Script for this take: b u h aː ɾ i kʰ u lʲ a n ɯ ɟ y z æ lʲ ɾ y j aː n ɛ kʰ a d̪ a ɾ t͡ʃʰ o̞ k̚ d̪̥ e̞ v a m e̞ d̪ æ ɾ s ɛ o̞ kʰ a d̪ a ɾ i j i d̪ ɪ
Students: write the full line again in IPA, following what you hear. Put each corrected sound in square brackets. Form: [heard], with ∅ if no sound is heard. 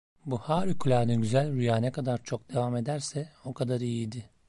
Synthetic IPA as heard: b u h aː ɾ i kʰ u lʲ a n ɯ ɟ y z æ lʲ ɾ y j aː n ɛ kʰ a d̪ a ɾ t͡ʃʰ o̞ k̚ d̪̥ e̞ v a m e̞ d̪ æ ɾ s ɛ o̞ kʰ a d̪ a ɾ i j i d̪ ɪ